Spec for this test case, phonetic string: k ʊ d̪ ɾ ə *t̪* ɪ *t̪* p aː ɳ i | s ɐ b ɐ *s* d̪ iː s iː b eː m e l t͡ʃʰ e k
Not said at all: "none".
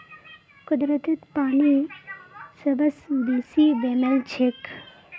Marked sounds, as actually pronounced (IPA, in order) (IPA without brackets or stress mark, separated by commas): t̪, t̪, s